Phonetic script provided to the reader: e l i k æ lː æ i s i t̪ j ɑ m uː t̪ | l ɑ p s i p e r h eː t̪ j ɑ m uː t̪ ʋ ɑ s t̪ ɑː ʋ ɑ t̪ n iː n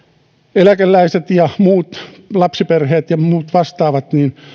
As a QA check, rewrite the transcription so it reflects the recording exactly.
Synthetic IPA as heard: e l æ k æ lː æ i s e t̪ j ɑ m uː t̪ | l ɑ p s i p e r h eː t̪ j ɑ m uː t̪ ʋ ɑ s t̪ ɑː ʋ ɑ t̪ n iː n